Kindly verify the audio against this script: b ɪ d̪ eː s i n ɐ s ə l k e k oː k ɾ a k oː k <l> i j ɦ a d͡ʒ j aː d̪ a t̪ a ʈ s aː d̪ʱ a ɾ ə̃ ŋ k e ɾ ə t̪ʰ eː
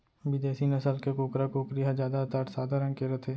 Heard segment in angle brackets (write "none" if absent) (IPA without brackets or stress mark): ɾ